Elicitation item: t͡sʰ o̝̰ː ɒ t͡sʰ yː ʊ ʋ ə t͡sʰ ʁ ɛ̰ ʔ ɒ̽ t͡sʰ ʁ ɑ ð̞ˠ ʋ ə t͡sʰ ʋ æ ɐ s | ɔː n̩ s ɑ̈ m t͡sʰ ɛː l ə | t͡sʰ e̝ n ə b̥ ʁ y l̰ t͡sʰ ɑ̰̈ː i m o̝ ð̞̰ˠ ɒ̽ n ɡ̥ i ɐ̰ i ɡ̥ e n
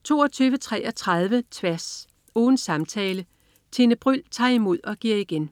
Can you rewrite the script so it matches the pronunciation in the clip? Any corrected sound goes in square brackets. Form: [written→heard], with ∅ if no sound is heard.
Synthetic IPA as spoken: t͡sʰ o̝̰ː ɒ t͡sʰ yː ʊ ʋ ə t͡sʰ ʁ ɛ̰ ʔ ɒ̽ t͡sʰ ʁ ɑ ð̞ˠ ʋ ə t͡sʰ ʋ æ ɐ s | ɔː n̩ s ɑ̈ m t͡sʰ ɛː l ə | t͡sʰ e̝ n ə b̥ ʁ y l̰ t͡sʰ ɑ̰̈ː i m o̝ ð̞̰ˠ ɒ̽ [n→∅] ɡ̥ i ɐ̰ i ɡ̥ e n